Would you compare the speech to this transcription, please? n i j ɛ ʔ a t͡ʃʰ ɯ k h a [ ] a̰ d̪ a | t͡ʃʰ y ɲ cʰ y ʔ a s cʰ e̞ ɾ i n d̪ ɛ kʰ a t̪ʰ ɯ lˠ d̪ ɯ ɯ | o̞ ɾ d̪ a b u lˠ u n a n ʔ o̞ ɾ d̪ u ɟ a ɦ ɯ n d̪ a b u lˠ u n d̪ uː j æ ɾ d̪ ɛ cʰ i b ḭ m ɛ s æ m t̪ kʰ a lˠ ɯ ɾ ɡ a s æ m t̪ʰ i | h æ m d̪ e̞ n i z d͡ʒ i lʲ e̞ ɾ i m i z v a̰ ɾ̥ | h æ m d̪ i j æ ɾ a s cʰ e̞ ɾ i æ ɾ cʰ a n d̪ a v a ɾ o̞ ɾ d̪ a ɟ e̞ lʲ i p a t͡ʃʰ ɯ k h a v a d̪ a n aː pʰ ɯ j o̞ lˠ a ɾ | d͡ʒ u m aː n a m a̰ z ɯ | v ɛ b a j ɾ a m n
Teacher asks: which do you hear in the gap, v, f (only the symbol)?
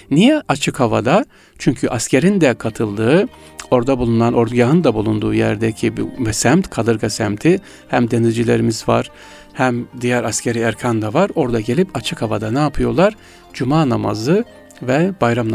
v